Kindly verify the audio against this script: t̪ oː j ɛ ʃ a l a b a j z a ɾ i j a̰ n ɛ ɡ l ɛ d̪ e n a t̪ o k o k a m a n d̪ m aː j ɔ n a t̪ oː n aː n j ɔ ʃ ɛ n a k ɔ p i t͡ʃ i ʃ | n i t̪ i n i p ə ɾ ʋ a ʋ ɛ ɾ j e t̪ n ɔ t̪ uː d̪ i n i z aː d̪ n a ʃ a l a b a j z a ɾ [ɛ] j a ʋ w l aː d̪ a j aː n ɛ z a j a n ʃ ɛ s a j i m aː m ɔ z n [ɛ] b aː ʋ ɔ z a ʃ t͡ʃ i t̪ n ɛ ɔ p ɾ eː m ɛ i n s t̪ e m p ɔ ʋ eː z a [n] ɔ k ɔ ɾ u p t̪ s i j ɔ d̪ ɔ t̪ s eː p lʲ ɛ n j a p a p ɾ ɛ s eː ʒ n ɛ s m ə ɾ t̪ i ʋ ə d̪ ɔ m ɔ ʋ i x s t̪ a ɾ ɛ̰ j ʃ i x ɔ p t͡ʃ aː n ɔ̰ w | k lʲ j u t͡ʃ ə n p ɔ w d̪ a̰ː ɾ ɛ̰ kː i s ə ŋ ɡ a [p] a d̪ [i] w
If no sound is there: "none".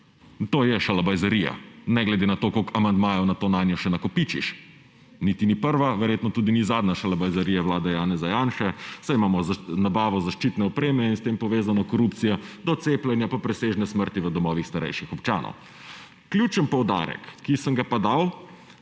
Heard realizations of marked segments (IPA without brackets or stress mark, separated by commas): i, a, n, p, a